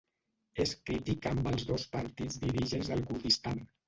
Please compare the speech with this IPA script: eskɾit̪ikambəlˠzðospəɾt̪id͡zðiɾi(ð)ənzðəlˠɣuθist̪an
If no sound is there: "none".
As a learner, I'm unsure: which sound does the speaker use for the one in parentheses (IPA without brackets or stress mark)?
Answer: ʒ